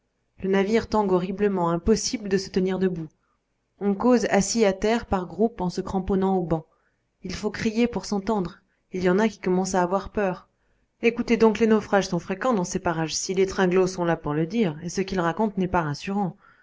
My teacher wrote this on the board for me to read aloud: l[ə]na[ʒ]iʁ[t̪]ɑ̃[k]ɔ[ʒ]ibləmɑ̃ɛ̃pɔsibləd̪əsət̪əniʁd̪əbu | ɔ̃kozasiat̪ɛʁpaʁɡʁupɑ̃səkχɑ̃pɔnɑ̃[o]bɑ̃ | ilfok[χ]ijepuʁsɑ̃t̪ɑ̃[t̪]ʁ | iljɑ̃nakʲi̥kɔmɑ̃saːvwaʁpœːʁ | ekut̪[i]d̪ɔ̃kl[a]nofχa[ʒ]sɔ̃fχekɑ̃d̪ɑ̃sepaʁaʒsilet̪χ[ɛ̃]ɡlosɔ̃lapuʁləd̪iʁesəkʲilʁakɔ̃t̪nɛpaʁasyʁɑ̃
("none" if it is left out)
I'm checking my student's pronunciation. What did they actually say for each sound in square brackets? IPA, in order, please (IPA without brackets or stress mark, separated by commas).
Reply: ə, v, t̪, ɡ, ʁ, o, χ, d̪, e, e, ʒ, ɛ̃